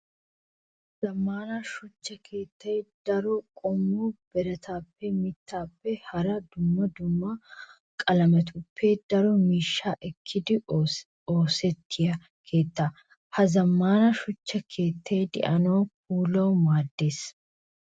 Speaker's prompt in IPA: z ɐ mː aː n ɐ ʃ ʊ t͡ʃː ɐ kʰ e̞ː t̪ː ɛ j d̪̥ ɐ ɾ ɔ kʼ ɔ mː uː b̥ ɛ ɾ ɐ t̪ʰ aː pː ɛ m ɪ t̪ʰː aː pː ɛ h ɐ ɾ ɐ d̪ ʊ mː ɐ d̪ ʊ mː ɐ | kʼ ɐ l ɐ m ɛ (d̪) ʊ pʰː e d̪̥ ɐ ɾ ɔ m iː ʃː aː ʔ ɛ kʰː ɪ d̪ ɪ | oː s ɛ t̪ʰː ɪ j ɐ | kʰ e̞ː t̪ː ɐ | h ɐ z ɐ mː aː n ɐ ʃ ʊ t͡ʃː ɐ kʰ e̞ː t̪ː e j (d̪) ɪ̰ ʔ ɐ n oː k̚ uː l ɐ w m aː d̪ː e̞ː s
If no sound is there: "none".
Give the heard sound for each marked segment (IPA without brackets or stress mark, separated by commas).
t̪, d̪